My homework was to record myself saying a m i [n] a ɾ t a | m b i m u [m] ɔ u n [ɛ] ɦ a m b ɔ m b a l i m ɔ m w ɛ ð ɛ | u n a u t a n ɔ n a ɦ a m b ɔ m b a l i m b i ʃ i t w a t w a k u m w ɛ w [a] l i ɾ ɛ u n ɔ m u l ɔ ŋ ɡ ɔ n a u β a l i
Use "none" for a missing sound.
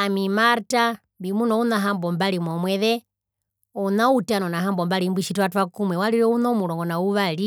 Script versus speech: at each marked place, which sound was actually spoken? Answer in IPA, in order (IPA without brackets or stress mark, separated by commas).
m, n, a, a